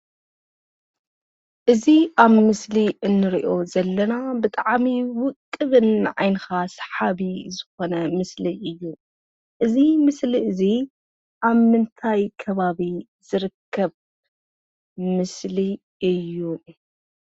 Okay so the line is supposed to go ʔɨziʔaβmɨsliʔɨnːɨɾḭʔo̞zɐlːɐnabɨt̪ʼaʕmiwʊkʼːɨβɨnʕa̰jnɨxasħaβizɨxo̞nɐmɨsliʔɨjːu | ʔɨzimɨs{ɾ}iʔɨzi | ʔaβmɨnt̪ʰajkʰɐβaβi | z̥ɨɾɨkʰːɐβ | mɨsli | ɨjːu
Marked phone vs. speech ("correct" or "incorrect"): incorrect